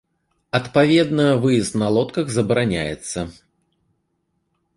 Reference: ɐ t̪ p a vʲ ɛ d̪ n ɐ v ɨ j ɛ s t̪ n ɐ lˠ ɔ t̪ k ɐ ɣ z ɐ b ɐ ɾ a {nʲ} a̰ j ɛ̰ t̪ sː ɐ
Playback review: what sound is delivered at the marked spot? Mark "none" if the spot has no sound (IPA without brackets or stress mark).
nʲ